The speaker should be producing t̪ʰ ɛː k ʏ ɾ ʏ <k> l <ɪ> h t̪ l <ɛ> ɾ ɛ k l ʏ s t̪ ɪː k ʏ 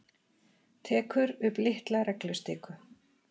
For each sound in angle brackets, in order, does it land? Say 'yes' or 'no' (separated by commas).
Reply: no, yes, no